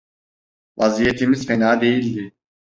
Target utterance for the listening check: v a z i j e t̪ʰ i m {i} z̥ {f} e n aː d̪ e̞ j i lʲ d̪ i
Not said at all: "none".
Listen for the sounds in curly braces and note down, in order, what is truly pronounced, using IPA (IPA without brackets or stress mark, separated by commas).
i, f